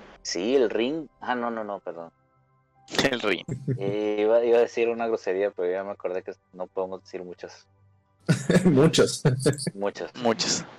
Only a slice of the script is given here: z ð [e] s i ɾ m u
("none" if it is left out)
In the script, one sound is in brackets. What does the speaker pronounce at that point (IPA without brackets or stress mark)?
e